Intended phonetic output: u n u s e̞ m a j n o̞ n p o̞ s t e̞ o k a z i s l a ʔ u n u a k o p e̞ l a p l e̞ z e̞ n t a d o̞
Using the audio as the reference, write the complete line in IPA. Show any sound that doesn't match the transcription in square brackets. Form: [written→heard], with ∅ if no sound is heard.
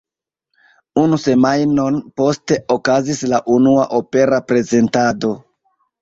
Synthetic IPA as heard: u n u s e̞ m a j n o̞ n p o̞ s t e̞ o k a z i s l a ʔ u n u a [k→ʔ] o p e̞ [l→ɾ] a p [l→ɾ] e̞ z e̞ n t a d o̞